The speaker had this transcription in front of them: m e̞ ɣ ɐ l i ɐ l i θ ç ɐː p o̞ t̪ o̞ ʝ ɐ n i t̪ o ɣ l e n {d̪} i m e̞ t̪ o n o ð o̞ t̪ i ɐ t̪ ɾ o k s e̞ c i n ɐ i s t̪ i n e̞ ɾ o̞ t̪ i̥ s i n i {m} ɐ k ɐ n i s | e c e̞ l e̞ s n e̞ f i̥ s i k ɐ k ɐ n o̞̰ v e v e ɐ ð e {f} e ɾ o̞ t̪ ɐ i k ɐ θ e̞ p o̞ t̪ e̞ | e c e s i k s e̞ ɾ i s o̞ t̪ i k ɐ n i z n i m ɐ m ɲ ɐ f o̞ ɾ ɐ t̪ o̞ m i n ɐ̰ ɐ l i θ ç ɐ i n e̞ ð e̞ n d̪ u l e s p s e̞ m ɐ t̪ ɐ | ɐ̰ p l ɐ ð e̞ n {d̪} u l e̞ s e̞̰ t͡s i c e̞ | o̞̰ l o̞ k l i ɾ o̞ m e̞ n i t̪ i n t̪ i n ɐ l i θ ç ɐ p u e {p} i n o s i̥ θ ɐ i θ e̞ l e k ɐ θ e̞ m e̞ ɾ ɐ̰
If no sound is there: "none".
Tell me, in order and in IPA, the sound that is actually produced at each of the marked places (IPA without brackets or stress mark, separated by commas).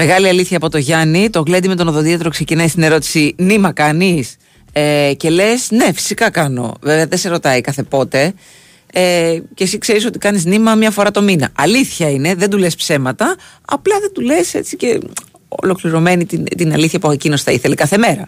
d̪, m, s, d̪, c